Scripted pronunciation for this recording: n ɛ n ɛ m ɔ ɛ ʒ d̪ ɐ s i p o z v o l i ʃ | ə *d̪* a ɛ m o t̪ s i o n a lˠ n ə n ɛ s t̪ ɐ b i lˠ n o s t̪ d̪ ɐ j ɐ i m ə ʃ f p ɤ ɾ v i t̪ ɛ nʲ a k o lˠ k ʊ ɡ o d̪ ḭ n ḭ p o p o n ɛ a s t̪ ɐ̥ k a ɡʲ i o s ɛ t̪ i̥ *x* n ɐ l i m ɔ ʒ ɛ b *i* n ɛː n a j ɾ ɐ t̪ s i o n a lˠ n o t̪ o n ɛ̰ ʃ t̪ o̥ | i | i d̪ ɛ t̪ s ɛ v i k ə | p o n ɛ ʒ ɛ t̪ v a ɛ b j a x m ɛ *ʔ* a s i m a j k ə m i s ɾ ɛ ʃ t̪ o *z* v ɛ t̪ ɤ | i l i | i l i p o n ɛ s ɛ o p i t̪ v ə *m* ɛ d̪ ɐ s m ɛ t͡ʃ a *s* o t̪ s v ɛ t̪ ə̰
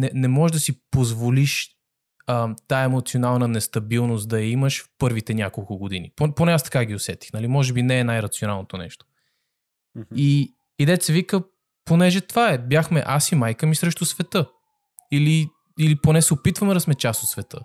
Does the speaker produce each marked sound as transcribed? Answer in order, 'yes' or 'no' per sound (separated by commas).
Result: no, yes, yes, yes, no, yes, yes